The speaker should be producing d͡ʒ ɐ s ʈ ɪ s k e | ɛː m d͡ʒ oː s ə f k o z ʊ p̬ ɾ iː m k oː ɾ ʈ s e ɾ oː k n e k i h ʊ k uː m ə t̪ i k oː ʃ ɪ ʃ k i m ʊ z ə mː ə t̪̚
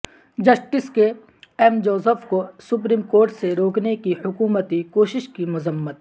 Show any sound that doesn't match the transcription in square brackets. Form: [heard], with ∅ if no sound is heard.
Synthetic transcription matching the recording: d͡ʒ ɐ s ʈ ɪ s k e | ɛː m d͡ʒ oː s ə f k o [s] ʊ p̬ ɾ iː m k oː ɾ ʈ s e ɾ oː k n e k i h ʊ k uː m ə t̪ i k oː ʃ ɪ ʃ k i m ʊ z ə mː ə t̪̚